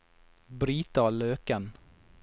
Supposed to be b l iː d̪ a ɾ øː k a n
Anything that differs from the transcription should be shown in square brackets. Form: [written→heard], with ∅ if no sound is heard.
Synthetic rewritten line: b [l→ɾ] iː [d̪→t̪] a [ɾ→l] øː k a n